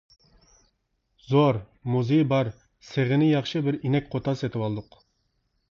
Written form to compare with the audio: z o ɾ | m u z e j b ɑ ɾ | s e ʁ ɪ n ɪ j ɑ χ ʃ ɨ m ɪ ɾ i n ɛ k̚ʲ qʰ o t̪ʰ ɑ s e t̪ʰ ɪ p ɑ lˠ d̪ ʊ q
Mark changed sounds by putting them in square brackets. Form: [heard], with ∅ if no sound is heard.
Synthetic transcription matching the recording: z o ɾ | m u z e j b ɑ ɾ | s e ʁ ɪ n ɪ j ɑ χ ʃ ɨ [b] ɪ ɾ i n ɛ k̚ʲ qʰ o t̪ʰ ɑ s e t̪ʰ ɪ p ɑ lˠ d̪ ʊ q